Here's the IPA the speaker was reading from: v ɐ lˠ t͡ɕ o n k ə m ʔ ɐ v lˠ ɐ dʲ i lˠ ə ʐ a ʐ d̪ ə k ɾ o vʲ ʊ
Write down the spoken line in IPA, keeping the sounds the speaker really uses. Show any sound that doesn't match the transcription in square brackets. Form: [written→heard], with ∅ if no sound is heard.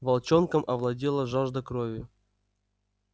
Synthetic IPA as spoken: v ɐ lˠ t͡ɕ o n k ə m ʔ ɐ v lˠ ɐ dʲ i lˠ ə ʐ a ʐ d̪ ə k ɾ o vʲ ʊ